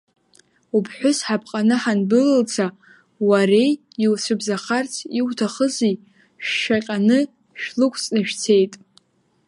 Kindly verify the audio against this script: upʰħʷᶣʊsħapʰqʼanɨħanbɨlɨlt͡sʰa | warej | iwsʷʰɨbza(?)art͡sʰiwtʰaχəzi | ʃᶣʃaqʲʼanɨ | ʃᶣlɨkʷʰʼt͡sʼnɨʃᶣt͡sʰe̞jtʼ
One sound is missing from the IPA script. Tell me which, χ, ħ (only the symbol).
χ